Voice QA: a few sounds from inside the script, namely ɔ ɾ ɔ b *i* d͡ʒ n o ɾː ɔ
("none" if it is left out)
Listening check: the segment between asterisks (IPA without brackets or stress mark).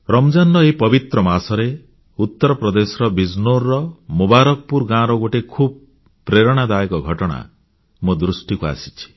i